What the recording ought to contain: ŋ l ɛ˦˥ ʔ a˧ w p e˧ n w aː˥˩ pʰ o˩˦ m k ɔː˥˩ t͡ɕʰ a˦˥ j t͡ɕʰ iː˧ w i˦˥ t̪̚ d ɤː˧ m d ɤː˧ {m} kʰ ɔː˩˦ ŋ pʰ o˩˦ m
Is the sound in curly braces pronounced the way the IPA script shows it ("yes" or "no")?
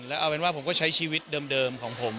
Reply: yes